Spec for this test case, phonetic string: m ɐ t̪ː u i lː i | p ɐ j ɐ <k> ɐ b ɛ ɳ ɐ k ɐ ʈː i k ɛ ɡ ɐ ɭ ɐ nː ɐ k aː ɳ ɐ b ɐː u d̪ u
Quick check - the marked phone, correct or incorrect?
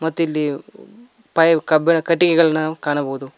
correct